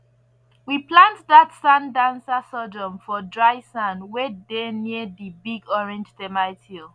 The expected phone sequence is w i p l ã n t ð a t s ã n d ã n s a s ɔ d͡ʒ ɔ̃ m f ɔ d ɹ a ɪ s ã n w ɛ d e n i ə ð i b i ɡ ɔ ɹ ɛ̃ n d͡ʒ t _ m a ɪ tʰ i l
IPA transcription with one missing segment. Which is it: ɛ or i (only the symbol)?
ɛ